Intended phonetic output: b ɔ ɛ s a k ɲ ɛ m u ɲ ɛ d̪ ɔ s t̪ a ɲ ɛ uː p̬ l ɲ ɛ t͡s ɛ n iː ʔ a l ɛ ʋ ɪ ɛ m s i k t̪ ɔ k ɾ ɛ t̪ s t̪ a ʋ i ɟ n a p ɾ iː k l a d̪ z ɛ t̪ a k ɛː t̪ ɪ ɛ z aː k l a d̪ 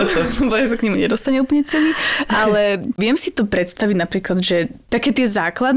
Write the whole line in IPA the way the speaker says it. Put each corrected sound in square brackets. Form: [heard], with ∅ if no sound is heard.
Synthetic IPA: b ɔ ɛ s a k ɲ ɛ m u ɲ ɛ d̪ ɔ s t̪ a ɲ ɛ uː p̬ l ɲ ɛ t͡s ɛ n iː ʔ a l ɛ ʋ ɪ ɛ m s i [∅] t̪ ɔ [p] ɾ ɛ t̪ s t̪ a ʋ i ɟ n a p ɾ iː k l a d̪ [ʒ] ɛ t̪ a k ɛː t̪ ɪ ɛ z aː k l a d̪